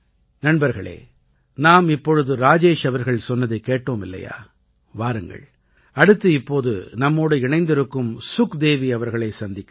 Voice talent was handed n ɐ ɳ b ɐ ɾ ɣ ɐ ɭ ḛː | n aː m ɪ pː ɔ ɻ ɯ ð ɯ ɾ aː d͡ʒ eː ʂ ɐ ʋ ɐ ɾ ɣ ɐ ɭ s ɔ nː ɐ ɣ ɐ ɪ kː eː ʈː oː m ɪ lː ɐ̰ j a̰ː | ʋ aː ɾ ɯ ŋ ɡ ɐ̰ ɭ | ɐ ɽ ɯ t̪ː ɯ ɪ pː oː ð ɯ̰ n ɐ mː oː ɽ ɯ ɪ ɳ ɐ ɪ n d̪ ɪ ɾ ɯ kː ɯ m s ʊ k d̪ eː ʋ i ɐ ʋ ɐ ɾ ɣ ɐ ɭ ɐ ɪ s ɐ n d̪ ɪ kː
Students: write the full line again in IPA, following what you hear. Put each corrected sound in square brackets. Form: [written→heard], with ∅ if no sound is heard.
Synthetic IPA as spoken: n ɐ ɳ b ɐ ɾ ɣ ɐ ɭ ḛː | n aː m ɪ pː ɔ ɻ ɯ ð ɯ ɾ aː d͡ʒ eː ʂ ɐ ʋ ɐ ɾ ɣ ɐ ɭ s ɔ nː ɐ [ɣ→ð] ɐ ɪ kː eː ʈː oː m ɪ lː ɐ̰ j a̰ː | ʋ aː ɾ ɯ ŋ ɡ ɐ̰ ɭ | ɐ ɽ ɯ t̪ː ɯ ɪ pː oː ð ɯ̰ n ɐ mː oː ɽ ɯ ɪ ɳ ɐ ɪ n d̪ ɪ ɾ ɯ kː ɯ m s ʊ k d̪ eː ʋ i ɐ ʋ ɐ ɾ ɣ ɐ ɭ ɐ ɪ s ɐ n d̪ ɪ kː